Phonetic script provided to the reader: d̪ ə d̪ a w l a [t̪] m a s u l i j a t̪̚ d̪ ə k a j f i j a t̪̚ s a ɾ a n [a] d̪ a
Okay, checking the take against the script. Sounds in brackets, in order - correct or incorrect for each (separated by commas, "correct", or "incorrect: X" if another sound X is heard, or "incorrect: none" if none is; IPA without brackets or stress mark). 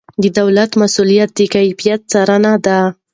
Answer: correct, correct